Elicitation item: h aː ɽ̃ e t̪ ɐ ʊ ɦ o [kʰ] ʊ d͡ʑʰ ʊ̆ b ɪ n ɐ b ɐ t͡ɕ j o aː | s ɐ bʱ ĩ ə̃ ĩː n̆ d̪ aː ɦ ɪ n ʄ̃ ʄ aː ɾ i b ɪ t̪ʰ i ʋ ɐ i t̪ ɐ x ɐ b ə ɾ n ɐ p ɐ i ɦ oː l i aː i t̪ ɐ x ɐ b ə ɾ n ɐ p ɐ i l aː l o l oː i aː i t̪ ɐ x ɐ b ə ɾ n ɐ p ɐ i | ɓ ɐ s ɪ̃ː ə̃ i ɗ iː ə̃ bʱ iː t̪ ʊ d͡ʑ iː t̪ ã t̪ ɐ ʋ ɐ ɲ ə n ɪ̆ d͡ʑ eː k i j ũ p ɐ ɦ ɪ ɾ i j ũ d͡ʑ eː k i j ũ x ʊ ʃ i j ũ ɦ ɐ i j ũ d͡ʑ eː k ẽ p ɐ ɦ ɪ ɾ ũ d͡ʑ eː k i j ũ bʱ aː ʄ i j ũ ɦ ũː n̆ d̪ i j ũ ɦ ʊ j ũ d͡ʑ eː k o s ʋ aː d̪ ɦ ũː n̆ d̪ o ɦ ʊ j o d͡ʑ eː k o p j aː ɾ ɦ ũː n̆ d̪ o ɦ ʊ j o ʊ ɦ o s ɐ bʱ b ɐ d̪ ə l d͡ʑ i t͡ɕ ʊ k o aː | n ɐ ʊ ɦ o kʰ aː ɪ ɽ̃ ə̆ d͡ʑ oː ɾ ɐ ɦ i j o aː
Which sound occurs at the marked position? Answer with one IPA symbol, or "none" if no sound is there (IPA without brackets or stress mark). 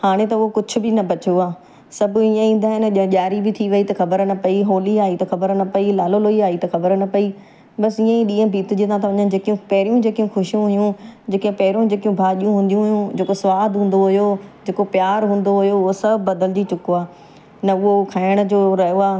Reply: k